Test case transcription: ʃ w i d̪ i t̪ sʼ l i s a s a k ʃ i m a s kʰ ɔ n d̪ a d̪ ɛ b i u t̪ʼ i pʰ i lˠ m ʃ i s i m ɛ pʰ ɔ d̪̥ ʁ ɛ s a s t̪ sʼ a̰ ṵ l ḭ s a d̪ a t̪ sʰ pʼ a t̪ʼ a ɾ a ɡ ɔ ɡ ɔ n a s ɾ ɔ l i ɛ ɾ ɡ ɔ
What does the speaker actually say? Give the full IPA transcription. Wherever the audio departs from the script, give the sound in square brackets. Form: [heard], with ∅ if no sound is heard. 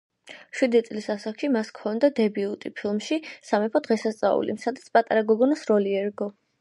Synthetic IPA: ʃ w i d̪ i t̪ sʼ l i s a s a k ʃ i m a s kʰ ɔ n d̪ a d̪ ɛ b i u t̪ʼ i pʰ i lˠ m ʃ i s [a] m ɛ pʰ ɔ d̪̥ ʁ ɛ s a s t̪ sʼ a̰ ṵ l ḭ s a d̪ a t̪ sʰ pʼ a t̪ʼ a ɾ a ɡ ɔ ɡ ɔ n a s ɾ ɔ l i ɛ ɾ ɡ ɔ